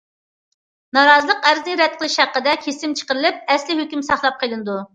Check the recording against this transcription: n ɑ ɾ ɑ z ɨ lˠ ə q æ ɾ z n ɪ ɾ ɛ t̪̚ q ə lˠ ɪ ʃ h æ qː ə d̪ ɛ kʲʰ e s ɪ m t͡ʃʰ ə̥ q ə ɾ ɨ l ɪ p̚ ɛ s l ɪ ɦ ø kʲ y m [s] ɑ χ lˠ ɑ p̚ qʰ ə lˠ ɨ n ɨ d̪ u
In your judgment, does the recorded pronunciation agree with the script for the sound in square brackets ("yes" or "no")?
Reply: yes